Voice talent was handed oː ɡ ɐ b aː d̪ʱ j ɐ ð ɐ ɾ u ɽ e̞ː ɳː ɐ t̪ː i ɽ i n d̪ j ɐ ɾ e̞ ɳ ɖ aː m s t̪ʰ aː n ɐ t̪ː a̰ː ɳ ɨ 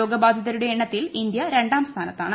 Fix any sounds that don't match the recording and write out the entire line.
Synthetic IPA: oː ɡ ɐ b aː d̪ʱ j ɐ ð ɐ ɾ u ɽ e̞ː ɳː ɐ t̪ː i l i n d̪ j ɐ ɾ e̞ ɳ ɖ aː m s t̪ʰ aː n ɐ t̪ː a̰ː ɳ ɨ

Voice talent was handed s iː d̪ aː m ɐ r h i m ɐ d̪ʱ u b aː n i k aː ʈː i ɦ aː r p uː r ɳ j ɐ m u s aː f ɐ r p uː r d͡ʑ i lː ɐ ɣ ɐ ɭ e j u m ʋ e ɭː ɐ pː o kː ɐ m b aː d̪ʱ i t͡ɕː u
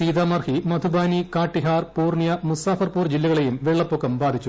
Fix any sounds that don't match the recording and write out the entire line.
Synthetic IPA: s iː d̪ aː m ɐ r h i m ɐ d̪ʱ u b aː n i k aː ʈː i ɦ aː r p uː r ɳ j ɐ m u s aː f ɐ r p uː r d͡ʑ i lː ɐ ɣ ɐ ɭ e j u m ʋ e ɭː ɐ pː o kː ɐ m b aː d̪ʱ i t͡ɕː u

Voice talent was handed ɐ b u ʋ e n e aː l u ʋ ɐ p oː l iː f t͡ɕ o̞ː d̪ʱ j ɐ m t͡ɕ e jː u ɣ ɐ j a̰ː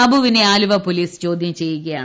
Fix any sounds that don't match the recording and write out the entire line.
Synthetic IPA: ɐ b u ʋ i n e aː l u ʋ ɐ p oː l iː s t͡ɕ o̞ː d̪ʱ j ɐ m t͡ɕ e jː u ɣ ɐ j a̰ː

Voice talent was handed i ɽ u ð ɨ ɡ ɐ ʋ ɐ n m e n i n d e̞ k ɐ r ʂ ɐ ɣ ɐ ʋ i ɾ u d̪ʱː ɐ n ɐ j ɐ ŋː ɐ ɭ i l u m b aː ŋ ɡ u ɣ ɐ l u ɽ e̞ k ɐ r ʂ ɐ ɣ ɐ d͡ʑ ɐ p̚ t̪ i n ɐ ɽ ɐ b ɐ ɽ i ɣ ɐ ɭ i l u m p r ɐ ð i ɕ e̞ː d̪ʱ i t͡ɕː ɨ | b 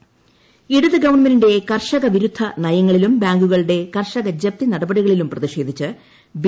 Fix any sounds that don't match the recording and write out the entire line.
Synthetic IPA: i ɽ u ð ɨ ɡ ɐ ʋ ɐ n m e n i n d e̞ k ɐ r ʂ ɐ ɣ ɐ ʋ i ɾ u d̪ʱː ɐ n ɐ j ɐ ŋː ɐ ɭ i l u m b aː ŋ ɡ u ɣ ɐ ɭ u ɽ e̞ k ɐ r ʂ ɐ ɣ ɐ d͡ʑ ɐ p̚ t̪ i n ɐ ɽ ɐ b ɐ ɽ i ɣ ɐ ɭ i l u m p r ɐ ð i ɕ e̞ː d̪ʱ i t͡ɕː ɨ | b

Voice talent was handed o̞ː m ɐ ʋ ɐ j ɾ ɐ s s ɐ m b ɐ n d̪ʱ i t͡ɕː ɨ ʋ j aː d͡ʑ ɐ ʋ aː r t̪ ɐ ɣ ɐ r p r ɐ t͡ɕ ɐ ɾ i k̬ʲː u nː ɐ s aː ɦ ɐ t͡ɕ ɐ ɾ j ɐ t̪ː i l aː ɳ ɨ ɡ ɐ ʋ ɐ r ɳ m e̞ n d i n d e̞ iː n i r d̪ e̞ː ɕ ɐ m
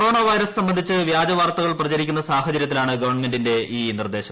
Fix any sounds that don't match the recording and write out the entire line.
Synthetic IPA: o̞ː ɳ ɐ ʋ ɐ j ɾ ɐ s s ɐ m b ɐ n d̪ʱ i t͡ɕː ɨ ʋ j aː d͡ʑ ɐ ʋ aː r t̪ ɐ ɣ ɐ ɭ p r ɐ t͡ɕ ɐ ɾ i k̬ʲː u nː ɐ s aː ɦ ɐ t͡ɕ ɐ ɾ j ɐ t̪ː i l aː ɳ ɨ ɡ ɐ ʋ ɐ r ɳ m e̞ n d i n d e̞ iː n i r d̪ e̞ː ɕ ɐ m

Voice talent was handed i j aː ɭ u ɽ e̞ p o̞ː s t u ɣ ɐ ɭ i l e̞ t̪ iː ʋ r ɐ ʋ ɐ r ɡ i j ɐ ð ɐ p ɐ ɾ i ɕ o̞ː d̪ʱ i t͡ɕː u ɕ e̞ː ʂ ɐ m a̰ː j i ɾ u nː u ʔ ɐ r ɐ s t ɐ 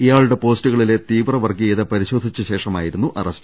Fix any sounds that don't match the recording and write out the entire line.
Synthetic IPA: i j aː ɭ u ɽ e̞ p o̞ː s t u ɣ ɐ ɭ i l e̞ t̪ iː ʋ r ɐ ʋ ɐ r ɡ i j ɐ ð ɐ p ɐ ɾ i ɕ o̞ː d̪ʱ i t͡ɕː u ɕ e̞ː ʂ ɐ m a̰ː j i ɾ u nː u ʔ ɐ r ɐ s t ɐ

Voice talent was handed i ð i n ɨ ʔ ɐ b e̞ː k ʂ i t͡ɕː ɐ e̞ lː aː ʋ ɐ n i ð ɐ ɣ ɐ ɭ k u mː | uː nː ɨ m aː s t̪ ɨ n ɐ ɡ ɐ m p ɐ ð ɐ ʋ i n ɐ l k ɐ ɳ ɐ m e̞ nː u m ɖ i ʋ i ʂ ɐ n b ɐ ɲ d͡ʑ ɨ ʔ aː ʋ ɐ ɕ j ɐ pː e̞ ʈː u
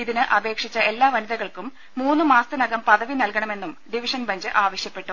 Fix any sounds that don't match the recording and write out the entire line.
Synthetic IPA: i ð i n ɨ ʔ ɐ b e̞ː k ʂ i t͡ɕː ɐ e̞ lː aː ʋ ɐ n i ð ɐ ɣ ɐ ɭ k u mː | uː nː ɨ m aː s t̪ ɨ n ɐ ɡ ɐ m p ɐ ð ɐ ʋ i n ɐ l k ɐ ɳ ɐ m e̞ nː u m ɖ i ʋ i ʂ ɐ n b ɐ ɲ d͡ʑ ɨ ʔ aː ʋ ɐ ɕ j ɐ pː e̞ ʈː u

